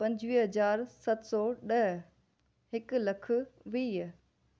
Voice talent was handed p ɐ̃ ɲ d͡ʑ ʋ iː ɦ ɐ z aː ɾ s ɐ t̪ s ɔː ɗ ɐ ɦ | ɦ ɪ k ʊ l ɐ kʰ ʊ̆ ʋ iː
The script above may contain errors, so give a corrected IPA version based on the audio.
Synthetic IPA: p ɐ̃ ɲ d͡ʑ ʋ iː ɦ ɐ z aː ɾ s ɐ t̪ s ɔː ɗ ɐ ɦ | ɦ ɪ k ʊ l ɐ kʰ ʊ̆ ʋ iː

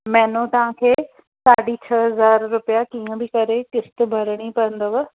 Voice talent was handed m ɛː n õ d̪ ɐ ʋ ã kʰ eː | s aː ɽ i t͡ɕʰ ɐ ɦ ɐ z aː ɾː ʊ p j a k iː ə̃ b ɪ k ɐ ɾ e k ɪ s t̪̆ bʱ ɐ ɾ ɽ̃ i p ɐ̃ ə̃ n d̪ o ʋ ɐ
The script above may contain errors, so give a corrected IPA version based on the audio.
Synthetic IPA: m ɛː n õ t̪ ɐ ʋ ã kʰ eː | s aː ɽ i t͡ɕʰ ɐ ɦ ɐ z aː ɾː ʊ p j a k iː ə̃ b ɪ k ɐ ɾ e k ɪ s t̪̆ bʱ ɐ ɾ ɽ̃ i p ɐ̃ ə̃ n d̪ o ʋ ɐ

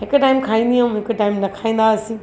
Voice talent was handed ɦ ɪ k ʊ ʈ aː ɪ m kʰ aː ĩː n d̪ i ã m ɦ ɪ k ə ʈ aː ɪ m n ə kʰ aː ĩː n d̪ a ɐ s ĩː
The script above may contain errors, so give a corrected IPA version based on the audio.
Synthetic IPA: ɦ ɪ k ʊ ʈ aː ɪ m kʰ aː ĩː n d̪ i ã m ɦ ɪ k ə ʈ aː ɪ m n ɐ kʰ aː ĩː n d̪ a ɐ s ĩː

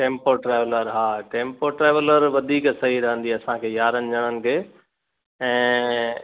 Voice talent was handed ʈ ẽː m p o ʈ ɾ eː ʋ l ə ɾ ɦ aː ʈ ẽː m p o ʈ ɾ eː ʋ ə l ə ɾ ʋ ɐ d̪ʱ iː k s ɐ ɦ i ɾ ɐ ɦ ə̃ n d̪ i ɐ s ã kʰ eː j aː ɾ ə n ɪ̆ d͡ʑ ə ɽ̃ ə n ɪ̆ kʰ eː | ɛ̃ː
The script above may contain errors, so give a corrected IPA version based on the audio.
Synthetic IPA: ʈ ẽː m p o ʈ ɾ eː ʋ l ə ɾ ɦ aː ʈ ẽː m p o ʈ ɾ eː ʋ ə l ə ɾ ʋ ɐ d̪ʱ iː k s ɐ ɦ i ɾ ɐ ɦ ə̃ n d̪ i ɐ s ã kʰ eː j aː ɾ ə n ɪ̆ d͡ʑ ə ɽ̃ ə n ɪ̆ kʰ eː | ɛ̃ː

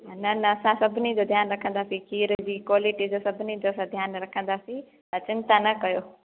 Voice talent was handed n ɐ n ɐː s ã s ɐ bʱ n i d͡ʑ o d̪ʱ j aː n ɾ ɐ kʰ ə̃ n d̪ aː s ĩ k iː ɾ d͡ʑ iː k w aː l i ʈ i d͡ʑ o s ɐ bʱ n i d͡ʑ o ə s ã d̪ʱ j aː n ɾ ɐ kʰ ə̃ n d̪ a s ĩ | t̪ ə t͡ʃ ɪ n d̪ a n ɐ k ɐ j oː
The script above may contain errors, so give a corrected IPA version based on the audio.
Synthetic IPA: n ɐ n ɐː s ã s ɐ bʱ n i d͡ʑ o d̪ʱ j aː n ɾ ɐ kʰ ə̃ n d̪ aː s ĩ k iː ɾ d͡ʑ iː k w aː l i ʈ i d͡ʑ o s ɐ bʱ n i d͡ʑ o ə s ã d̪ʱ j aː n ɾ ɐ kʰ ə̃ n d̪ a s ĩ | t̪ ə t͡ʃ ɪ n t̪ a n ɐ k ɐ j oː

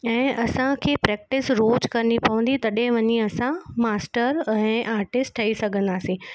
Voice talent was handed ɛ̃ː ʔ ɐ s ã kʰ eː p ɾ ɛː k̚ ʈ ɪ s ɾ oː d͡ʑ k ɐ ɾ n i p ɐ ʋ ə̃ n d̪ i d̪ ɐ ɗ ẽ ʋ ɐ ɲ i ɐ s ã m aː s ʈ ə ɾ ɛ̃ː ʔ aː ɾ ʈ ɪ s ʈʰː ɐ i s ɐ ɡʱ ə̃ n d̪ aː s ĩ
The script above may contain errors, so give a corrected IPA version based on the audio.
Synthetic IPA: ɛ̃ː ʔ ɐ s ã kʰ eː p ɾ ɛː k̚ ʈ ɪ s ɾ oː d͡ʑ k ɐ ɾ n i p ɐ ʋ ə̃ n d̪ i t̪ ɐ ɗ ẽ ʋ ɐ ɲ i ɐ s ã m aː s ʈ ə ɾ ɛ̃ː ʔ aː ɾ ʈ ɪ s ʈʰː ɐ i s ɐ ɡʱ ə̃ n d̪ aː s ĩ

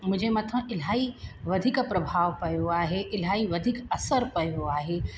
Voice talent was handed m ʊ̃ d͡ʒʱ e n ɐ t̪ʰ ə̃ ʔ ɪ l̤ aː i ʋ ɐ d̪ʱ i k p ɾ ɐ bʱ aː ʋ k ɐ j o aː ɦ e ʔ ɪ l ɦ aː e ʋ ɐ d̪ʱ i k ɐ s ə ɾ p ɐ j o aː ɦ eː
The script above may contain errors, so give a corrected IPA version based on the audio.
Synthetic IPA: m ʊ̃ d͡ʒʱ e m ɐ t̪ʰ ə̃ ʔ ɪ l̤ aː i ʋ ɐ d̪ʱ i k p ɾ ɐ bʱ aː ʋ p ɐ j o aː ɦ e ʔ ɪ l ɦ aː i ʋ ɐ d̪ʱ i k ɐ s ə ɾ p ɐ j o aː ɦ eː

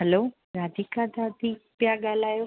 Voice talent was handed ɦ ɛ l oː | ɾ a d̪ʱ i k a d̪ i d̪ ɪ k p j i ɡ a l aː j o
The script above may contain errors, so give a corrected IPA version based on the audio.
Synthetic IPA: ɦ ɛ l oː | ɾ a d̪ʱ i k a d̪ a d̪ i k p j a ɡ a l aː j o

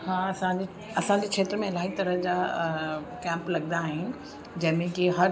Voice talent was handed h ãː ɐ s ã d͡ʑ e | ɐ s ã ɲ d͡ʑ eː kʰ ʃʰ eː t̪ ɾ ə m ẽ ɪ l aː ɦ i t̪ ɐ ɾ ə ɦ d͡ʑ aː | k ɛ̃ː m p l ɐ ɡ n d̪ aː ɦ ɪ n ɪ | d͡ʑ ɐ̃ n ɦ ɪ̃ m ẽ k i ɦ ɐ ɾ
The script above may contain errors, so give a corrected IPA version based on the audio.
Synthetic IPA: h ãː ɐ s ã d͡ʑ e | ɐ s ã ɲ d͡ʑ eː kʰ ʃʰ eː t̪ ɾ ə m ẽ ɪ l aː ɦ i t̪ ɐ ɾ ə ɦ d͡ʑ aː | k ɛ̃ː m p l ɐ ɡ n d̪ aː ɦ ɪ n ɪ | d͡ʑ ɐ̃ ɦ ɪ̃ m ẽ k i ɦ ɐ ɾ

